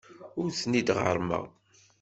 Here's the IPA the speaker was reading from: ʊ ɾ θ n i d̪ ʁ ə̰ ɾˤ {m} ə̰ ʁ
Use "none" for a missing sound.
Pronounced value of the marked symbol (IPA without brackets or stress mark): m